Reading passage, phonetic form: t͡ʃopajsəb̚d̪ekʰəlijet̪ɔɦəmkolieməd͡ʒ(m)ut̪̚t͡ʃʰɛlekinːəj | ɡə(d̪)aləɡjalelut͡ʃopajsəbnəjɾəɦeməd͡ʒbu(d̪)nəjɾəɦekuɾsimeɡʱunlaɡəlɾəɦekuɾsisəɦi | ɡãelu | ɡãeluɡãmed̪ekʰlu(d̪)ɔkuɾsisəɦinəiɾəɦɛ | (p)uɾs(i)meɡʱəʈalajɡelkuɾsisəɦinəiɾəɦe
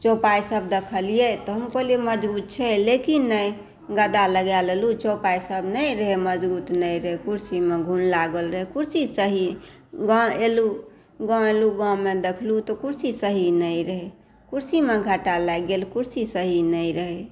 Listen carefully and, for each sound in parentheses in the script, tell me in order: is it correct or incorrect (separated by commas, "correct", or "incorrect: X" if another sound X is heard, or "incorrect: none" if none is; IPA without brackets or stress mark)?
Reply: incorrect: b, correct, incorrect: t̪, incorrect: t̪, incorrect: k, correct